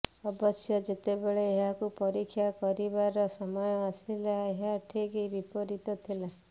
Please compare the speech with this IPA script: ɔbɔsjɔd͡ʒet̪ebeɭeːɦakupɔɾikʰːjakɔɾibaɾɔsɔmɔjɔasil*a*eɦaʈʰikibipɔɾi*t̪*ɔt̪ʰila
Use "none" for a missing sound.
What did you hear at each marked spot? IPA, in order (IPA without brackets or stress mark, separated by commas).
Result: a, t̪